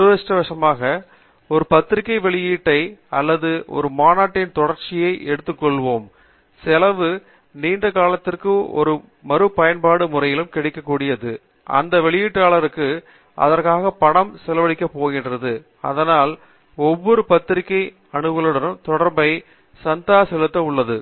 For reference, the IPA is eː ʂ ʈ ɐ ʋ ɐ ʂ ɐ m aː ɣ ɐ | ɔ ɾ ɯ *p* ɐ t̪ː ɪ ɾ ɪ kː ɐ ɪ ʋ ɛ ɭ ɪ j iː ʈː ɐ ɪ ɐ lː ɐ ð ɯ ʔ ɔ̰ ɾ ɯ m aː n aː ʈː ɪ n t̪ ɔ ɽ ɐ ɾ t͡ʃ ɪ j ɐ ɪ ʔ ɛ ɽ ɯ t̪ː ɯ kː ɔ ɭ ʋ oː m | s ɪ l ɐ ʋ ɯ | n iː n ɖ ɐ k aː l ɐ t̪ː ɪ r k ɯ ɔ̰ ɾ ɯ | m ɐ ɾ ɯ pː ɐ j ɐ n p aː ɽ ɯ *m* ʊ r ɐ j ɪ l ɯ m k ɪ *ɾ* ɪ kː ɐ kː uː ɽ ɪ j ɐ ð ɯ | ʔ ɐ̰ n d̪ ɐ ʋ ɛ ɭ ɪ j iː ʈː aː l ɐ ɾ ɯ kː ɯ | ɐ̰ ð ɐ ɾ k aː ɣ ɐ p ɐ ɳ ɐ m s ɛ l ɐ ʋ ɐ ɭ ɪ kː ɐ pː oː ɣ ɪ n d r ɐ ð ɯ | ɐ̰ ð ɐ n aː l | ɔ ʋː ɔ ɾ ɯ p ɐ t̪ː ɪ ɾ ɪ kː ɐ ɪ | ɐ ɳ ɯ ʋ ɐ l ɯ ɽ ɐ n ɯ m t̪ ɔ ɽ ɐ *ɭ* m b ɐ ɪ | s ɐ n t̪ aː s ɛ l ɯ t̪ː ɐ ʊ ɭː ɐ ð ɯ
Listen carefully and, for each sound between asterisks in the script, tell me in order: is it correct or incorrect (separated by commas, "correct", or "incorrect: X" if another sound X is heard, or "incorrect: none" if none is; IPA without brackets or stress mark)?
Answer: correct, correct, incorrect: ɽ, incorrect: ɾ